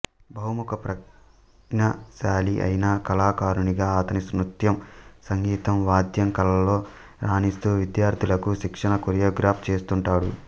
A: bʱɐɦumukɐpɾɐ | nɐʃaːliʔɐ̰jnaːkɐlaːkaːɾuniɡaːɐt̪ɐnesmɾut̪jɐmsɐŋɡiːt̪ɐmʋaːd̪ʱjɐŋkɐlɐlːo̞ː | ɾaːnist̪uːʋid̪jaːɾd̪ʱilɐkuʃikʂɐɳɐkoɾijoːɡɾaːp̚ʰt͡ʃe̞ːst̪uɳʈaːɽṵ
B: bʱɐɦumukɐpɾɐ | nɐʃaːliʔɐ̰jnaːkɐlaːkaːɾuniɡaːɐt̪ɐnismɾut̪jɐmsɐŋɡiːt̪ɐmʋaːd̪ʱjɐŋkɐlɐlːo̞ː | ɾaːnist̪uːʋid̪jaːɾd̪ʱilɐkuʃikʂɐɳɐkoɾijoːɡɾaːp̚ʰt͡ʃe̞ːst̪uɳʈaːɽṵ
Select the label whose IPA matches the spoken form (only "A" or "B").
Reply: B